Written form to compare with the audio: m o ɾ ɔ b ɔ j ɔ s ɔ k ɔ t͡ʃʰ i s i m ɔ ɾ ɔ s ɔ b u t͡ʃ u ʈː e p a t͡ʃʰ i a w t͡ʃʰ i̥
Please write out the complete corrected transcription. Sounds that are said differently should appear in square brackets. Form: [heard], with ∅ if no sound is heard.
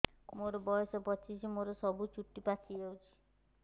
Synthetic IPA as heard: m o ɾ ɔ b ɔ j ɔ s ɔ [p] ɔ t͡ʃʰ i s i m [o] ɾ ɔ s ɔ b u t͡ʃ u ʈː [i] p a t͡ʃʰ i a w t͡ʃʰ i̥